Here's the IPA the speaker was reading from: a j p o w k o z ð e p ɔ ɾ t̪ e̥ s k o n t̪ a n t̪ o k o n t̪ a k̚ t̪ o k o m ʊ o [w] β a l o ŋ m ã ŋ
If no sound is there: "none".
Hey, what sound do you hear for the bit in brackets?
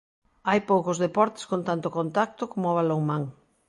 none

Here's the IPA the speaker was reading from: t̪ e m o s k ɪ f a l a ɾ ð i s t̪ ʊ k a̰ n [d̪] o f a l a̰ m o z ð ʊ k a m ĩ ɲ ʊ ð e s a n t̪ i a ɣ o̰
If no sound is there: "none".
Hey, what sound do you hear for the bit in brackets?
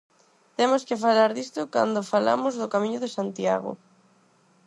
d̪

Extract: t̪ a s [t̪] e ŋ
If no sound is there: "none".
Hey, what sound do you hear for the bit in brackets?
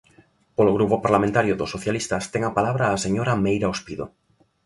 t̪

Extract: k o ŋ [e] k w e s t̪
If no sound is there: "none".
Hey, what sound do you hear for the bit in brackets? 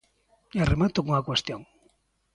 a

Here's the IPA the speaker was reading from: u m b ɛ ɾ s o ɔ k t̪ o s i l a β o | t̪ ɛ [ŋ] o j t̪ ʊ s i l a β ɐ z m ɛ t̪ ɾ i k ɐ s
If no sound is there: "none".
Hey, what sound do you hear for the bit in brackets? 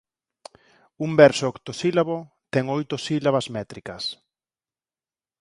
ŋ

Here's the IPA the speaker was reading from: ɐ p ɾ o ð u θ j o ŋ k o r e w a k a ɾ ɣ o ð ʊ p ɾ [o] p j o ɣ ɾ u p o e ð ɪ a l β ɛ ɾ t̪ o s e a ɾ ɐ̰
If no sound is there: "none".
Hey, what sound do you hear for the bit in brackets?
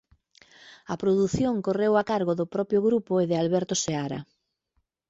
ɔ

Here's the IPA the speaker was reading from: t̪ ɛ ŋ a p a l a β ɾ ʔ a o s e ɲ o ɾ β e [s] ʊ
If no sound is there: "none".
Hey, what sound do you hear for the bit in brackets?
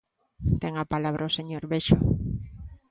ʃ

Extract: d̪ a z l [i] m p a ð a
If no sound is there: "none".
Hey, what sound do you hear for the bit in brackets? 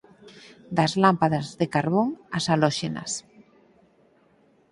a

